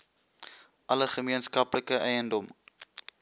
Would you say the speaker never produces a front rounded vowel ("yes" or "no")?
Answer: yes